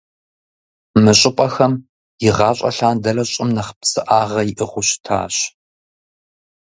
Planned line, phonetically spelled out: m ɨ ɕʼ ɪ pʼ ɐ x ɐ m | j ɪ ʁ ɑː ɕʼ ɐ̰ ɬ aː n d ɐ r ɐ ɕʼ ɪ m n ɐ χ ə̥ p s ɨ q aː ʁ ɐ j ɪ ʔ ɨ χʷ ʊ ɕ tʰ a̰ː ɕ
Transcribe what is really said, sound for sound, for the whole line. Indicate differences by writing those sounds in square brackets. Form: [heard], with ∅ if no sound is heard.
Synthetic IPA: m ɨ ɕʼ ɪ pʼ ɐ x ɐ m | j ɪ ʁ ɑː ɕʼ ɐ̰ ɬ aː n d ɐ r ɐ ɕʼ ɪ m n ɐ χ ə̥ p s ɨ [ʔ] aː ʁ ɐ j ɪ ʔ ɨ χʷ ʊ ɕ tʰ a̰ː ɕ